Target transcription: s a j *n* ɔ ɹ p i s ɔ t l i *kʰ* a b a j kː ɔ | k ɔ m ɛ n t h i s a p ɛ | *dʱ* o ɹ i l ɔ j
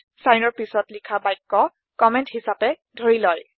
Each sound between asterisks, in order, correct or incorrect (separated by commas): correct, correct, correct